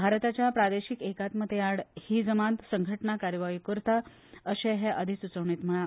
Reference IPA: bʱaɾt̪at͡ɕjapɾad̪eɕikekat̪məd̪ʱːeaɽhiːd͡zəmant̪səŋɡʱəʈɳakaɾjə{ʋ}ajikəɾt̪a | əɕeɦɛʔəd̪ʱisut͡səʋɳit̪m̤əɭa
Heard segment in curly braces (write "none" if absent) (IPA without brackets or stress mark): ʋ